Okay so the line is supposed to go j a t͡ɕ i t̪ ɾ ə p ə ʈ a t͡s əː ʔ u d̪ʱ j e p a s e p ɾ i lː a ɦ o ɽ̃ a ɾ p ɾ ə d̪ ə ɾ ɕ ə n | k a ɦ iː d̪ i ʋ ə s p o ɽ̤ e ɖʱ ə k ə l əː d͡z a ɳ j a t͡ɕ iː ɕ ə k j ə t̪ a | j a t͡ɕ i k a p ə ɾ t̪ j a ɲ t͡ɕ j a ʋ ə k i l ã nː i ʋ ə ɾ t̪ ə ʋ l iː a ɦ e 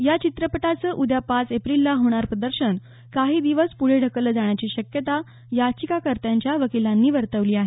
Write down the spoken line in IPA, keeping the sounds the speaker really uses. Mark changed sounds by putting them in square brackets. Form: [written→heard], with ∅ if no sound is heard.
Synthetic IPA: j a t͡ɕ i t̪ ɾ ə p ə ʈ a t͡s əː ʔ u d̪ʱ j [e→a] p a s e p ɾ i lː a ɦ o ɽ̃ a ɾ p ɾ ə d̪ ə ɾ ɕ ə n | k a ɦ iː d̪ i ʋ ə s p [o→u] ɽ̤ e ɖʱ ə k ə l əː d͡z a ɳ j a t͡ɕ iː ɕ ə k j ə t̪ a | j a t͡ɕ i k a [p→k] ə ɾ t̪ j a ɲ t͡ɕ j a ʋ ə k i l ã nː [i→iː] ʋ ə ɾ t̪ ə ʋ l iː a ɦ e